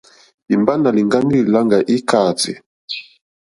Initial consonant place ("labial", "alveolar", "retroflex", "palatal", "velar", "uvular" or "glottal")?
labial